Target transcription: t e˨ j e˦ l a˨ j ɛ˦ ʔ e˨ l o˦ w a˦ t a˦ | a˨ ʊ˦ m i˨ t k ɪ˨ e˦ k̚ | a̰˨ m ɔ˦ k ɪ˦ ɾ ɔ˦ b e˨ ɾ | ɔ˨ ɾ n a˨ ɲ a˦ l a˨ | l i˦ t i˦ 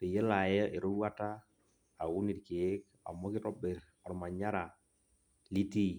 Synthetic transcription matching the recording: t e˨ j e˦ l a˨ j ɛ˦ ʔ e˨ ɾ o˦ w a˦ t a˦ | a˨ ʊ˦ n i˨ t k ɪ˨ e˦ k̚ | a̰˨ m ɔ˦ k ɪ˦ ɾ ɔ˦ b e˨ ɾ | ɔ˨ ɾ m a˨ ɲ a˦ ɾ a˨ | l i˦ t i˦